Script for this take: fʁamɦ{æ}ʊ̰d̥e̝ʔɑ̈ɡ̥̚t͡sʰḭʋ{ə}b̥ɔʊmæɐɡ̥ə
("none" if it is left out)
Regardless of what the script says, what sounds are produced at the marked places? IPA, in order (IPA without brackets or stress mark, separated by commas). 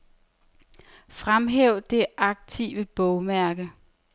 e, ə